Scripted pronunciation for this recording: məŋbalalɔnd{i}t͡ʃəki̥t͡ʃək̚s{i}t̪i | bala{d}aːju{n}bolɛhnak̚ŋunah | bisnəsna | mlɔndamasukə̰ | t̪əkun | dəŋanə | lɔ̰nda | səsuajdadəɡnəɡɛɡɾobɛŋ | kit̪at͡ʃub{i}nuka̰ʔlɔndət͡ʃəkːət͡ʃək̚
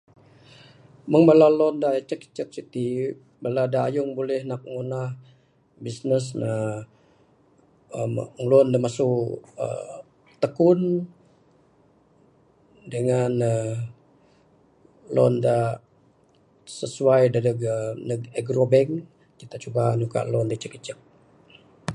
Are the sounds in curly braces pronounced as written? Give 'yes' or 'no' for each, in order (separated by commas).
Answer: no, yes, yes, no, no